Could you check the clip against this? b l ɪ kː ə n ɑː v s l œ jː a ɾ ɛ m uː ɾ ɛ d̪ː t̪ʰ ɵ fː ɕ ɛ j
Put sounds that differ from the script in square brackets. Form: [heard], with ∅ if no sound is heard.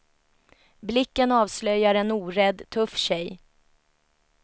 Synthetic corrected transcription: b l ɪ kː ə n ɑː v s l œ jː a ɾ ɛ [n] uː ɾ ɛ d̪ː t̪ʰ ɵ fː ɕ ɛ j